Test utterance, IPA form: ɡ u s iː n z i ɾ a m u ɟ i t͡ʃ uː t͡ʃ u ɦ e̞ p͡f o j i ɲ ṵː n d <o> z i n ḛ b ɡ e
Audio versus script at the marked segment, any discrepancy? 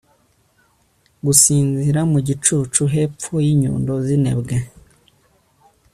no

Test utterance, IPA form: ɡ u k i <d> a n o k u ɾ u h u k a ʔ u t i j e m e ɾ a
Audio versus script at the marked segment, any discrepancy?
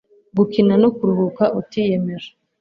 yes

